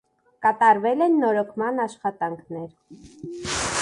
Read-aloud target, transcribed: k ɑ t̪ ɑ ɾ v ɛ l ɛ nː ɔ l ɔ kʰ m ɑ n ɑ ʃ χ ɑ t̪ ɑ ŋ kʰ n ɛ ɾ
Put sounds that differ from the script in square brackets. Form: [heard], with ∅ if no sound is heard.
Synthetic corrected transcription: k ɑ t̪ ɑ ɾ v ɛ l ɛ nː ɔ [ɾ] ɔ kʰ m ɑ n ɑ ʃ χ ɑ t̪ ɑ ŋ kʰ n ɛ ɾ